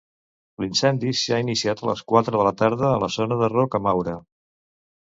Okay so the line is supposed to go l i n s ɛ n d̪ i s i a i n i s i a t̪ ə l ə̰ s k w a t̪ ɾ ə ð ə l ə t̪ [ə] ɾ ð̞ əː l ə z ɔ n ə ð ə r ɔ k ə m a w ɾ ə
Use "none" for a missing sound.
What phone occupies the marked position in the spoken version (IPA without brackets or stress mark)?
a